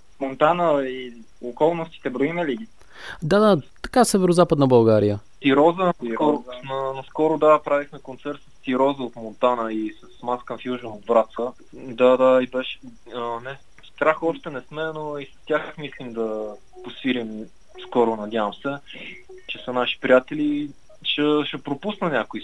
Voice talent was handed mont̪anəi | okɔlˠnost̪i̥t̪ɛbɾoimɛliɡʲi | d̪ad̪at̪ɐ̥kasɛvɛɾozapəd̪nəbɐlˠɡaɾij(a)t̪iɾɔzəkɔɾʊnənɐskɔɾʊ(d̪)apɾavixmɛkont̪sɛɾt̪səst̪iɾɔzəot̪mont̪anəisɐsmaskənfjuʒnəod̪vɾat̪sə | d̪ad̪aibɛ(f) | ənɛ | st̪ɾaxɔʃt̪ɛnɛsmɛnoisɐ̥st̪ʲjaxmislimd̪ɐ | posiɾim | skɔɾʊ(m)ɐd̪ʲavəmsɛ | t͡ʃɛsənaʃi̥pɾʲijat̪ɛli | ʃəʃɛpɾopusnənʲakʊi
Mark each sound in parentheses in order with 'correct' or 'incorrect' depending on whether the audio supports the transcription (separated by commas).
incorrect, correct, incorrect, incorrect